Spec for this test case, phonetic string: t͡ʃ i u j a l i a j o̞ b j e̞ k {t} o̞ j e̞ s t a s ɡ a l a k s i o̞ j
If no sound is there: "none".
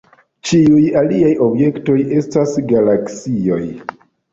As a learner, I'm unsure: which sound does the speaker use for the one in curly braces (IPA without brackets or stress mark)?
t